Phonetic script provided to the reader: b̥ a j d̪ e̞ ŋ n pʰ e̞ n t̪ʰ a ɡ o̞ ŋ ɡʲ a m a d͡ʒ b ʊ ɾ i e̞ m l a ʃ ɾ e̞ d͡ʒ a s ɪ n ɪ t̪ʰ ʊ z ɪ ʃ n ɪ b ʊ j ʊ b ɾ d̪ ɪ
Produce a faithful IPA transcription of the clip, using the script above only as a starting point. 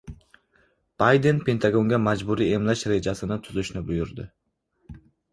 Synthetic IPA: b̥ a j d̪ e̞ n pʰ e̞ n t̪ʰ a ɡ o̞ ŋ ɡʲ a m a d͡ʒ b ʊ ɾ i e̞ m l a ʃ ɾ e̞ d͡ʒ a s ɪ n ɪ t̪ʰ ʊ z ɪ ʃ n ɪ b ʊ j ʊ ɾ d̪ ɪ